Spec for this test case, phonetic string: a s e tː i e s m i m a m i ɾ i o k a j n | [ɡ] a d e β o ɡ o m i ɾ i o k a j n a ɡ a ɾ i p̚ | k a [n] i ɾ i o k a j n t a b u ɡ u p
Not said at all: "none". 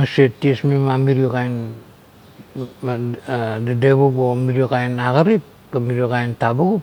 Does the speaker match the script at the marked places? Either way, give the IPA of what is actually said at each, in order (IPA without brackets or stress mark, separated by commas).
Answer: d, m